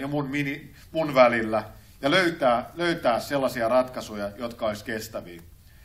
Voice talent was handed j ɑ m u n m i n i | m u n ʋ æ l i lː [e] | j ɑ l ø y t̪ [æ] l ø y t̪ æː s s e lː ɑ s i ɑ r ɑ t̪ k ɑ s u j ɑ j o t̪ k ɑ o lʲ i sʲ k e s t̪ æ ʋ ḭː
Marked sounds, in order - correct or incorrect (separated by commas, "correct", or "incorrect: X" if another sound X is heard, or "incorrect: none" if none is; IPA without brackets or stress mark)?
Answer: incorrect: æ, incorrect: æː